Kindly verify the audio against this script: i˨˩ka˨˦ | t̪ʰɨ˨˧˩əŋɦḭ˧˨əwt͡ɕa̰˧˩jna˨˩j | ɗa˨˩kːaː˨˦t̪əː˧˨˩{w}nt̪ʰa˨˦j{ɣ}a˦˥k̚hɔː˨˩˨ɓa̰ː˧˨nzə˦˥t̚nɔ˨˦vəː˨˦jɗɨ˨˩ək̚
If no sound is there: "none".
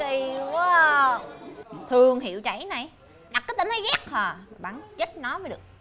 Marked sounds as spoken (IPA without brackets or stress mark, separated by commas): none, ɣ